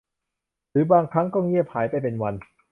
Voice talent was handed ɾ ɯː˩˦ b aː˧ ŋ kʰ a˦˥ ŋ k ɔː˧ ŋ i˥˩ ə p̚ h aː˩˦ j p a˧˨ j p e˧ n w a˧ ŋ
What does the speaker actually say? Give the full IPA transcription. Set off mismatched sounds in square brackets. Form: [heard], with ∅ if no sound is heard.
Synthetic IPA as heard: ɾ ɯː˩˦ b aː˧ ŋ kʰ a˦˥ ŋ k [ɔː˥˩] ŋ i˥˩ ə p̚ h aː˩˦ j p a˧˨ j p e˧ n w a˧ [n]